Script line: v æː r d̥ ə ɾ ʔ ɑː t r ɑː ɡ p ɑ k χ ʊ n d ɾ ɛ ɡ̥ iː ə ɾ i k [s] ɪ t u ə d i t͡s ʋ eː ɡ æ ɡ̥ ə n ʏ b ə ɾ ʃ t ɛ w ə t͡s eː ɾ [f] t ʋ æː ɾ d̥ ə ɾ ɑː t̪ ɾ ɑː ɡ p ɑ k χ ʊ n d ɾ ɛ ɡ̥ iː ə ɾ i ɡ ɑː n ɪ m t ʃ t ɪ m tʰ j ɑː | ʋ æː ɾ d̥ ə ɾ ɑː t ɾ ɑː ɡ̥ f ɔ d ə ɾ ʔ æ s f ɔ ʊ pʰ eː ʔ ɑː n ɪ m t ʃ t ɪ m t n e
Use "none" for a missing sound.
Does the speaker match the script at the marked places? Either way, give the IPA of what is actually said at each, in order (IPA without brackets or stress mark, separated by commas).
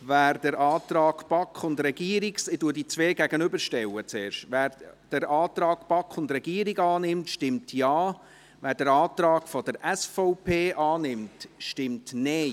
s, ʃ